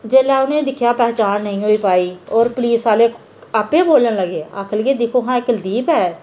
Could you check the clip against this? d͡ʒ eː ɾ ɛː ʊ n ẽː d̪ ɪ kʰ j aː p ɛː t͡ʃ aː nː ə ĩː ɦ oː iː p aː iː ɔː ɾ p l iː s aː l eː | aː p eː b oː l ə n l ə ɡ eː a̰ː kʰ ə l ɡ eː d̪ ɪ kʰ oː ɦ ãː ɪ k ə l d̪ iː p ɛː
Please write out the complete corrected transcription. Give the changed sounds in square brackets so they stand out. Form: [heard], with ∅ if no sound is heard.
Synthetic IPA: d͡ʒ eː [l] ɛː ʊ n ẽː d̪ ɪ kʰ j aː p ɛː t͡ʃ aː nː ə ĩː ɦ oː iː p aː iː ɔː ɾ p l iː s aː l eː | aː p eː b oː l ə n l ə ɡ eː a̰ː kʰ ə l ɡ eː d̪ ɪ kʰ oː ɦ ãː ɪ k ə l d̪ iː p ɛː